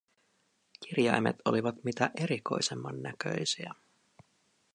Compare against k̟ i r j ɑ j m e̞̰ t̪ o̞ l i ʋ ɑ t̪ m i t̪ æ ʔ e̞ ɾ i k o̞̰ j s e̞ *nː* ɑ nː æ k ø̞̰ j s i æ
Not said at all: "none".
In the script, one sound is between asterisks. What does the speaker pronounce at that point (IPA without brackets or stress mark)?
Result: mː